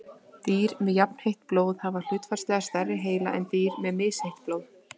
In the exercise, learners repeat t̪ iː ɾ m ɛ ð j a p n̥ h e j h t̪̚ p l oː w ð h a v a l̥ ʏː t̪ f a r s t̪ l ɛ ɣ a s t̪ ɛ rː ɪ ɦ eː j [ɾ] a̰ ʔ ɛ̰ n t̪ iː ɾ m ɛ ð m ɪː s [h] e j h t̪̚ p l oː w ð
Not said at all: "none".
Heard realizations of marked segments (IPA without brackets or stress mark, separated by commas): l, h